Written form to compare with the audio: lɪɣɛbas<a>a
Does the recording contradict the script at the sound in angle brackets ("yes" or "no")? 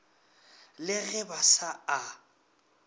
no